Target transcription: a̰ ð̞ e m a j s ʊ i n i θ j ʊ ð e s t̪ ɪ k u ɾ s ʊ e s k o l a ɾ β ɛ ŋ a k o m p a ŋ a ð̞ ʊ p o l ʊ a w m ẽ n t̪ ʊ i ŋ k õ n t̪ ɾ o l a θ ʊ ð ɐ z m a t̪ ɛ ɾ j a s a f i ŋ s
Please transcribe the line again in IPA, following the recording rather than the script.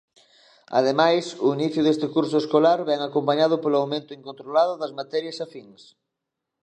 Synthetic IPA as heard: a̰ ð̞ e m a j s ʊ i n i θ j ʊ ð e s t̪ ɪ k u ɾ s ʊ e s k o l a ɾ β ɛ ŋ a k o m p a ɲ a ð̞ ʊ p o l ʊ a w m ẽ n t̪ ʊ i ŋ k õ n t̪ ɾ o l a ð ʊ ð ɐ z m a t̪ ɛ ɾ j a s a f i ŋ s